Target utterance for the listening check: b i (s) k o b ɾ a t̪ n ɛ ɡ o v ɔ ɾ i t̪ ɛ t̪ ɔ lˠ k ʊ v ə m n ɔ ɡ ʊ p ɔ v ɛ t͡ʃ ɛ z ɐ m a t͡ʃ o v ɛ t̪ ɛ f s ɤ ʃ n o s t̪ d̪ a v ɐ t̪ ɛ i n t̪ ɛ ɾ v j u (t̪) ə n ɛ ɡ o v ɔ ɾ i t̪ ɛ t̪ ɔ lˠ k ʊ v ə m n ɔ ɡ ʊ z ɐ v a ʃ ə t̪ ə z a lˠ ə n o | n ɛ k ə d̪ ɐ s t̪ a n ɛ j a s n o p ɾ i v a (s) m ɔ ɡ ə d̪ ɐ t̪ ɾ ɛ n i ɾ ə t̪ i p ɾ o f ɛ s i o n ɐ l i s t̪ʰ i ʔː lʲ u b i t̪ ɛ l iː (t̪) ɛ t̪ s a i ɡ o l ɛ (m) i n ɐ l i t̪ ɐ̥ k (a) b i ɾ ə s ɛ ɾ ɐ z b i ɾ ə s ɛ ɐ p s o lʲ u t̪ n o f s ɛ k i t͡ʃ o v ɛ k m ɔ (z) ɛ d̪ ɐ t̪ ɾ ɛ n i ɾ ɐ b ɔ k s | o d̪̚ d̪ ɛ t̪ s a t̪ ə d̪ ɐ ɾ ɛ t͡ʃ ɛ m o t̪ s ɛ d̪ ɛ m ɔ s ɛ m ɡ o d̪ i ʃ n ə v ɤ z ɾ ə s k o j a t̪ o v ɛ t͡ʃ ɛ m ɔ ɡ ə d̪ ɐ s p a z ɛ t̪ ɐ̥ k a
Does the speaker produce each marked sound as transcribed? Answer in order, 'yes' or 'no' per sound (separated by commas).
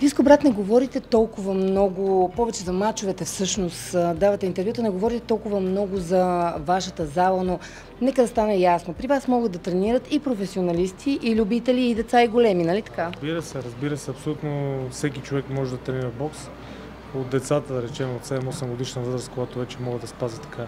yes, yes, yes, no, yes, yes, no